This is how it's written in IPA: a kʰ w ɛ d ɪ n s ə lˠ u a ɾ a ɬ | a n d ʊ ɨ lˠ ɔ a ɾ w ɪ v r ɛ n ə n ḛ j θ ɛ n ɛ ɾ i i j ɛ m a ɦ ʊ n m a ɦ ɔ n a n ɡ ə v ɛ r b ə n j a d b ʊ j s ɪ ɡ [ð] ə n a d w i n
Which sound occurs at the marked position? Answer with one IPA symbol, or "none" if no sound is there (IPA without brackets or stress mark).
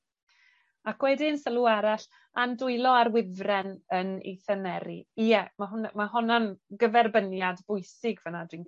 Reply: v